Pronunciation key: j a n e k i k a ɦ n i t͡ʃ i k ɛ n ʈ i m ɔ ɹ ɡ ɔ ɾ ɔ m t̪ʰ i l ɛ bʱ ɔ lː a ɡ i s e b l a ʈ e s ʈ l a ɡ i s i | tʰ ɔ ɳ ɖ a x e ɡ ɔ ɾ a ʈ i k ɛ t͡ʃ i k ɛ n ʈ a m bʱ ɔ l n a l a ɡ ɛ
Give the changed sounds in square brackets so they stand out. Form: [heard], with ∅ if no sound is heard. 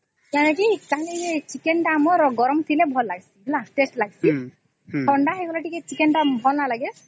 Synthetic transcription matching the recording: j a n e k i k a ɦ n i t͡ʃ i k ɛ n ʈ [a] m ɔ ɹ ɡ ɔ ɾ ɔ m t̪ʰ i l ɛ bʱ ɔ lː a ɡ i s [i] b l a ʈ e s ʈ l a ɡ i s i | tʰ ɔ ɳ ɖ a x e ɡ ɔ [l] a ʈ i k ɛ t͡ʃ i k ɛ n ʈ a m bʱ ɔ l n a l a ɡ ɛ